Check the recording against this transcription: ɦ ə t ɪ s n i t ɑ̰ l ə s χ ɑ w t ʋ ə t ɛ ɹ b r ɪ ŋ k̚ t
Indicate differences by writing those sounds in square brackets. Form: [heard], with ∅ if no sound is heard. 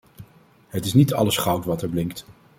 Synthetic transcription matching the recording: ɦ ə t ɪ s n i t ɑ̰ l ə s χ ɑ w t ʋ [ɑ] t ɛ ɹ b [l] ɪ ŋ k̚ t

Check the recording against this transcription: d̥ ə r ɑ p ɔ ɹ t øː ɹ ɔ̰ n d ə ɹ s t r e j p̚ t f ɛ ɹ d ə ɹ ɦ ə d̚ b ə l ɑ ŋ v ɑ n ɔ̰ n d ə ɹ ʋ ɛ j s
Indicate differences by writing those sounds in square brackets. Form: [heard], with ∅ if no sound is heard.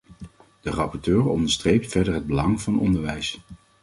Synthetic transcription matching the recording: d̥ ə r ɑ p ɔ ɹ t øː ɹ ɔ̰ n d ə ɹ s t r e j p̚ t f ɛ ɹ d ə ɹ ɦ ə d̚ b ə l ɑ ŋ v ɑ n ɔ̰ n d ə ɹ ʋ ɛ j s

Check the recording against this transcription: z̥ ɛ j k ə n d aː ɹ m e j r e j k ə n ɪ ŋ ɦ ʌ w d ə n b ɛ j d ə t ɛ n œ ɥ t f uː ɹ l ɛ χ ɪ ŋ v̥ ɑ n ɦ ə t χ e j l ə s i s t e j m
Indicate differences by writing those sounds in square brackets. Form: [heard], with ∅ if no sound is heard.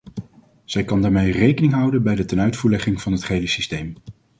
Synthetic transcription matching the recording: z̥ ɛ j k [ɑ] n d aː ɹ m e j r e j k ə n ɪ ŋ ɦ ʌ w d ə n b ɛ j d ə t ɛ n œ ɥ t f uː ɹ l ɛ χ ɪ ŋ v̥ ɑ n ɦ ə t χ e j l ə s i s t e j m

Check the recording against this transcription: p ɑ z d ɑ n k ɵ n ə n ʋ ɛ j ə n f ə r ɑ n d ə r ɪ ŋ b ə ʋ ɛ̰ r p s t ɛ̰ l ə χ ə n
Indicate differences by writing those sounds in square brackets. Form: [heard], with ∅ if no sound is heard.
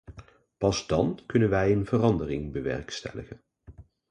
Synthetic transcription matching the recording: p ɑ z d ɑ n k ɵ n ə n ʋ ɛ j ə n [v] ə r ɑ n d ə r ɪ ŋ b ə ʋ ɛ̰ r [k] s t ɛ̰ l ə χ ə n

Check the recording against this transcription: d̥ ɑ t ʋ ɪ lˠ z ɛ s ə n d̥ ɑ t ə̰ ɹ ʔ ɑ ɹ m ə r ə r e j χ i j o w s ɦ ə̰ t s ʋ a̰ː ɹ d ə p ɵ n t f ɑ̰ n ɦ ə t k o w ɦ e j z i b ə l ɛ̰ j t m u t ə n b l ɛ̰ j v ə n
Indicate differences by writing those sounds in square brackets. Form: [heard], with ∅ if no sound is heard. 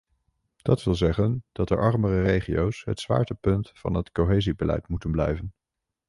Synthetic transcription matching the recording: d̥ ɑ t ʋ ɪ lˠ z ɛ [χ] ə n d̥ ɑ t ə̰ ɹ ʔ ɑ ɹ m ə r ə r e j χ i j o w s ɦ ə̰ t s ʋ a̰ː ɹ [t] ə p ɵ n t f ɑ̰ n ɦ ə t k o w ɦ e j z i b ə l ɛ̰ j t m u t ə n b l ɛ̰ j v ə n

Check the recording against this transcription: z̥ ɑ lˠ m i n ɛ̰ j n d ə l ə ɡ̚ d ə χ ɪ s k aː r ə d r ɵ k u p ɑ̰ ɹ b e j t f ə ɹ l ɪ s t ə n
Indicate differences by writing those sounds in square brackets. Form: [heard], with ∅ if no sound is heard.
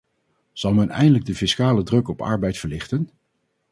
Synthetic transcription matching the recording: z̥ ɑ lˠ m [ɛ] n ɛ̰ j n d ə l ə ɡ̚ d ə [f] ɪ s k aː [l] ə d r ɵ k [ɔ] p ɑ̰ ɹ b [ɛ] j t f ə ɹ l ɪ [χ] t ə n

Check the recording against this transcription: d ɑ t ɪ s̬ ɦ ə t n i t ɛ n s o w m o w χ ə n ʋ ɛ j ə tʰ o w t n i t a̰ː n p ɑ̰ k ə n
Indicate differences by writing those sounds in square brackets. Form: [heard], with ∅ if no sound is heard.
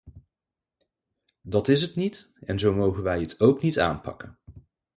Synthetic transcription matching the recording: d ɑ t ɪ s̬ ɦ ə t n i t ɛ n [z] o w m o w χ ə n ʋ ɛ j ə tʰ o w [k] n i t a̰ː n p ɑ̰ k ə n

